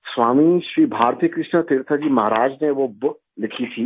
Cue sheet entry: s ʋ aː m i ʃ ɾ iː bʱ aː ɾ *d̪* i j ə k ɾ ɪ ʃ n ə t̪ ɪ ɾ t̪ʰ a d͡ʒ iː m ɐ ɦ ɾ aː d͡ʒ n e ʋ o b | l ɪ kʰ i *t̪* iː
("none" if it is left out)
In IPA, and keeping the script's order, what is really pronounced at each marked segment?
t̪, t̪ʰ

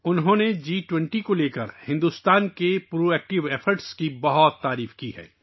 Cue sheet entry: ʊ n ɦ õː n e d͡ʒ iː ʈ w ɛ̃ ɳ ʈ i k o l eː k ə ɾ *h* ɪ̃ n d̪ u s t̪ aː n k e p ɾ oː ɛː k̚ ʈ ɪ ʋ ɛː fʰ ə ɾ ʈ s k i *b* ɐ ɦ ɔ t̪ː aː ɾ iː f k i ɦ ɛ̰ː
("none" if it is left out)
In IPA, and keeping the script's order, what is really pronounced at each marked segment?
h, b

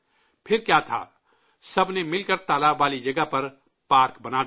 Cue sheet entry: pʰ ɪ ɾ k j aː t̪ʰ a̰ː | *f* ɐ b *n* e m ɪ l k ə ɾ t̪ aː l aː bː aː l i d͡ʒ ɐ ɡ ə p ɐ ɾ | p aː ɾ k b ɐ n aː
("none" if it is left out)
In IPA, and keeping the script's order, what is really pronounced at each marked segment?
s, n

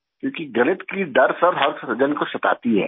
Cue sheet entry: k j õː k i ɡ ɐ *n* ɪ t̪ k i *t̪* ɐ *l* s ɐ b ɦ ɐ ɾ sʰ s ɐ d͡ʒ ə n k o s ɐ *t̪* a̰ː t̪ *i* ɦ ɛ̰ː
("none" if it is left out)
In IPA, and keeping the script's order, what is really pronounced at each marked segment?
n, d̪, ɾ, t̪, i

